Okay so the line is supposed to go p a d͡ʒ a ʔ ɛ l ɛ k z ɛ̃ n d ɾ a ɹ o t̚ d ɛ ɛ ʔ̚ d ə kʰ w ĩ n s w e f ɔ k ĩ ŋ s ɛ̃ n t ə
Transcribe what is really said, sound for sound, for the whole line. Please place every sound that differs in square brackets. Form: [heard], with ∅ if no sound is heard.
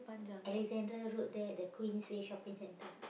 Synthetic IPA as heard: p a d͡ʒ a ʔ ɛ l ɛ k z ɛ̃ n d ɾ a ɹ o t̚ d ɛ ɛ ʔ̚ d ə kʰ w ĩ n s w e [ʃ] ɔ [p] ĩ ŋ s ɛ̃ n t ə